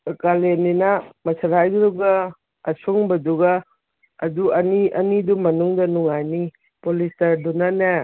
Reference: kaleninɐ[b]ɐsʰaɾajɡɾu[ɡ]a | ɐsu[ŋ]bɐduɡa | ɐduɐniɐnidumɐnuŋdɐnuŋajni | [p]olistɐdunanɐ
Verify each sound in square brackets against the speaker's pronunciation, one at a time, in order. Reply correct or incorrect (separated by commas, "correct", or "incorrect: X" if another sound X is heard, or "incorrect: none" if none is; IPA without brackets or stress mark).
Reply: incorrect: m, correct, correct, correct